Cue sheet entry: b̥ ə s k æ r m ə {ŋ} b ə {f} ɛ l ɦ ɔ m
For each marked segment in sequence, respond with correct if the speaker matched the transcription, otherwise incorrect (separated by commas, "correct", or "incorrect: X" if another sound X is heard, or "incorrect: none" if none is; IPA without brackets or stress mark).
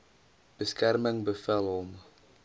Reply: correct, correct